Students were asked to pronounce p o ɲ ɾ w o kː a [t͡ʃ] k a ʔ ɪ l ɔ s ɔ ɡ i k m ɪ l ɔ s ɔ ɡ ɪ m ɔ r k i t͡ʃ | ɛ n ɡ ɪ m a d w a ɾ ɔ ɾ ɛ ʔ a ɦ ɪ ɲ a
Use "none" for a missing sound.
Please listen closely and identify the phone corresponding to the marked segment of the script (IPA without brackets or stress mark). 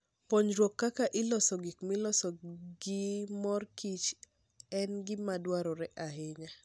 none